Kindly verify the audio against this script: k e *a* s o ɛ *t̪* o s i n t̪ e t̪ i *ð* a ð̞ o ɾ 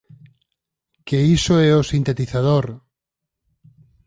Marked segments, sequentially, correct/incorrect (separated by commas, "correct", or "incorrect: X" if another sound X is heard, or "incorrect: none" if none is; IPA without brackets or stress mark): incorrect: i, incorrect: none, incorrect: θ